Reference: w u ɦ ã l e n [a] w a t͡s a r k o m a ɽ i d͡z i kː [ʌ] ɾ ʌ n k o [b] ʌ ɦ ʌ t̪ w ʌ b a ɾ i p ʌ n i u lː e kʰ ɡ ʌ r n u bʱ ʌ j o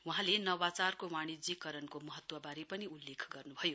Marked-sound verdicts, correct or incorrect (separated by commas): incorrect, correct, incorrect